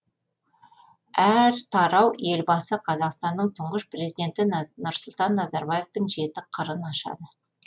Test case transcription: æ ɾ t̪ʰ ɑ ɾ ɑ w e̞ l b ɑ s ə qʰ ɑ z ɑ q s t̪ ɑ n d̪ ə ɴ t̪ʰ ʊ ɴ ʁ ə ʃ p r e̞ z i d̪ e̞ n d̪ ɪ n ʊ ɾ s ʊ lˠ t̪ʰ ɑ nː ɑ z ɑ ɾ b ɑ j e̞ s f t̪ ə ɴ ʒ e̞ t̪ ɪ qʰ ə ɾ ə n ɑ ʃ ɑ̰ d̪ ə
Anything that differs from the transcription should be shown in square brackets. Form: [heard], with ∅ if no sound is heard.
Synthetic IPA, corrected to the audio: æ ɾ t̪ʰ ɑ ɾ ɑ w e̞ l b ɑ s ə qʰ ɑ z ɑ q s t̪ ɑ n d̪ ə ɴ t̪ʰ ʊ ɴ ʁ ə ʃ p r e̞ z i d̪ e̞ n [t̪] ɪ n ʊ ɾ s ʊ lˠ [t̪] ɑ nː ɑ z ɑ ɾ b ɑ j e̞ [∅] f t̪ ə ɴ ʒ e̞ t̪ ɪ qʰ ə ɾ ə n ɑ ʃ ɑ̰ d̪ ə